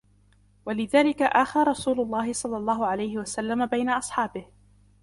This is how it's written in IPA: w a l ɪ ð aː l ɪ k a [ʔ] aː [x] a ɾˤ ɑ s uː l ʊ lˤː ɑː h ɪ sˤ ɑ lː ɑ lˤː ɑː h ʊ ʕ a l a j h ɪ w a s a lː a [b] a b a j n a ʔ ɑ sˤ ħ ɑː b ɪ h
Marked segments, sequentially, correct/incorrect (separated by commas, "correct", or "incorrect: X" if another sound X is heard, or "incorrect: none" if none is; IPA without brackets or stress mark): correct, correct, incorrect: m